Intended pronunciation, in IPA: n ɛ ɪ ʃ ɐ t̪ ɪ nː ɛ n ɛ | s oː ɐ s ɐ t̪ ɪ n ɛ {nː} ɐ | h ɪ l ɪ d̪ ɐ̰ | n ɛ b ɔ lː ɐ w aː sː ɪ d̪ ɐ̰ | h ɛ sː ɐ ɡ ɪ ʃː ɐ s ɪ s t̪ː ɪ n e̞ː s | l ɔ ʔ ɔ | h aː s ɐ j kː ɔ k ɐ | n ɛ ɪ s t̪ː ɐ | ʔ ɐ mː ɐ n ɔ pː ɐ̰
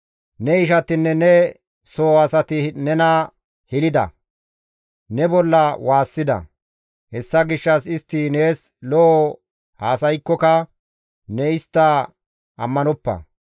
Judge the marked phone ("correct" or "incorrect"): incorrect